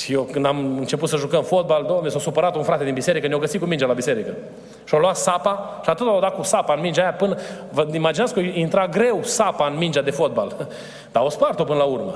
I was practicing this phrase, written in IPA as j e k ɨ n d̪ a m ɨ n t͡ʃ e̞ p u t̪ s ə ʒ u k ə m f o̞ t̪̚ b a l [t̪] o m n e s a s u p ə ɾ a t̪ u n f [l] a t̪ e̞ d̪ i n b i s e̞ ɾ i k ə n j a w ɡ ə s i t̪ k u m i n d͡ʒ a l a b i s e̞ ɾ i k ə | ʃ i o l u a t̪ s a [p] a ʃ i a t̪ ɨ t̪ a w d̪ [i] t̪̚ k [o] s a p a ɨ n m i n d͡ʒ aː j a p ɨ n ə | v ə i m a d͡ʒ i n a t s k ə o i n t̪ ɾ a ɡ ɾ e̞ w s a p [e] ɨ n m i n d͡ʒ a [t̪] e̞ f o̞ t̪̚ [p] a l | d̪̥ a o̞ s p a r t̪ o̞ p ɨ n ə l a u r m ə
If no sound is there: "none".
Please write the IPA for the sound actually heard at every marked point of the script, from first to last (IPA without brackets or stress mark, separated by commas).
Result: d̪, ɾ, p, a, u, a, d̪, b